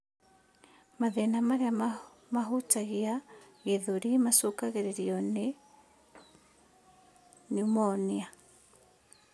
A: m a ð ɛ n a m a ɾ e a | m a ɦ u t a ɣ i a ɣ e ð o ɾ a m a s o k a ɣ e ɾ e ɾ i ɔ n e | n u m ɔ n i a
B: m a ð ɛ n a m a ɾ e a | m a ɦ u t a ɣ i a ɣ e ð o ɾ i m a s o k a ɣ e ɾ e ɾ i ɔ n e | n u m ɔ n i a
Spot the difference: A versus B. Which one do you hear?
B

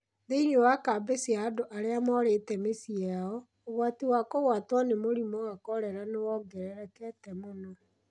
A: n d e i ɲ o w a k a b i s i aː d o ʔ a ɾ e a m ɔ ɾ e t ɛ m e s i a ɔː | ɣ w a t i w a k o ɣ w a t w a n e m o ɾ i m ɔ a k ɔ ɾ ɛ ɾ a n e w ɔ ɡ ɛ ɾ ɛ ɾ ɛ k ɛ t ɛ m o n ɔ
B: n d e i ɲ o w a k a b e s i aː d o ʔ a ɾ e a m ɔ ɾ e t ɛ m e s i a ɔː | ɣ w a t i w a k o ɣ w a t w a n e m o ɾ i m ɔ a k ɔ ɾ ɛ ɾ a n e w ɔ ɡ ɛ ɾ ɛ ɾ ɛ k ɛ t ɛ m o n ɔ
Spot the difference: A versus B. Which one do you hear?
B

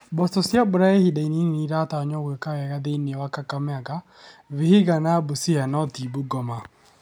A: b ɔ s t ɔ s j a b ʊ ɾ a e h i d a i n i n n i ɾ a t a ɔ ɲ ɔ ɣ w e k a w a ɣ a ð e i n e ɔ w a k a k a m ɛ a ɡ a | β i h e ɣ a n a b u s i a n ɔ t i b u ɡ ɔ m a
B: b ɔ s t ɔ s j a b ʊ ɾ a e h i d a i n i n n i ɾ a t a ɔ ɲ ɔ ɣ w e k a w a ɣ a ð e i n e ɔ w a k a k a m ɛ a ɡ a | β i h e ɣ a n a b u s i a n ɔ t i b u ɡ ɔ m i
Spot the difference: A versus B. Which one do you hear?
A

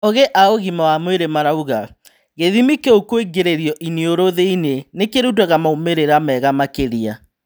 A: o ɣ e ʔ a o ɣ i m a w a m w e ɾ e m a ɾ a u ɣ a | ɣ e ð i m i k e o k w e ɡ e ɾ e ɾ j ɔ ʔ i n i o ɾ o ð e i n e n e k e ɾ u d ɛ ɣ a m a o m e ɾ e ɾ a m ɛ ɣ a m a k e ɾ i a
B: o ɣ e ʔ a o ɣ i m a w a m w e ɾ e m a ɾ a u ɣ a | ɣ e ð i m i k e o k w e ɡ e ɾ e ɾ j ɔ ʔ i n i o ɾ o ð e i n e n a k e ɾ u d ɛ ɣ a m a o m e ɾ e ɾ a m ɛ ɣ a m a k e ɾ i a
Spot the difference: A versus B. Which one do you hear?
A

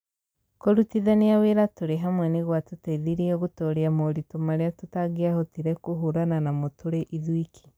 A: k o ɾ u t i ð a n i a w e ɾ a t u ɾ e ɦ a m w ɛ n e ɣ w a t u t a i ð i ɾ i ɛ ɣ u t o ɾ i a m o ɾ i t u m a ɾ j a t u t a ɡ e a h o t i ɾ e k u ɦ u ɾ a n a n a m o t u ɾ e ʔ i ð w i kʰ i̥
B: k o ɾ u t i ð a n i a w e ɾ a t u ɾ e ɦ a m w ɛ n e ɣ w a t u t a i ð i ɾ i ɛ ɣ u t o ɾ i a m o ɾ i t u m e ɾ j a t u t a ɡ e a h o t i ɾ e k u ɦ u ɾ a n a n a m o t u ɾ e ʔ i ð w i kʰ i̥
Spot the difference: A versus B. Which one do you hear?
A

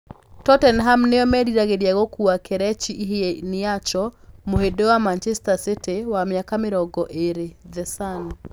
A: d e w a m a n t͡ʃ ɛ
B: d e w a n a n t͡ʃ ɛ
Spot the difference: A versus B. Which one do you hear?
A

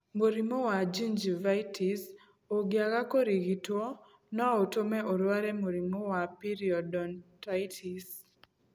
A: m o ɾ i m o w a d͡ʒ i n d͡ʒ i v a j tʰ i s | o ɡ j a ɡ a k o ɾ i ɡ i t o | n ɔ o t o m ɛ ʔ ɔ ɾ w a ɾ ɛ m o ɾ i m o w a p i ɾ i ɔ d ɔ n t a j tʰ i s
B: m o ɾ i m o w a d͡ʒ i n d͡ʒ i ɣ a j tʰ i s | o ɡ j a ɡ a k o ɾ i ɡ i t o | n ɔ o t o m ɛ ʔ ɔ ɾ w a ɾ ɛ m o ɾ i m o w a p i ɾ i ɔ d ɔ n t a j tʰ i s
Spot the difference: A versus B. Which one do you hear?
A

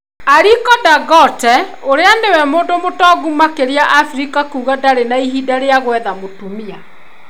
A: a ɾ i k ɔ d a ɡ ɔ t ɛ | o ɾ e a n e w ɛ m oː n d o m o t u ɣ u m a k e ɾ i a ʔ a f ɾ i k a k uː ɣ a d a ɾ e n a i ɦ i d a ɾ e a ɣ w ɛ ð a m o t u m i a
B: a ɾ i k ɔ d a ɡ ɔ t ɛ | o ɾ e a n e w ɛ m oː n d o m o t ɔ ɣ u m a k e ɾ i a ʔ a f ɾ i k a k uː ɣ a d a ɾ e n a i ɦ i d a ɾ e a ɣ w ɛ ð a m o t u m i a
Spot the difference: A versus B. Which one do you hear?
B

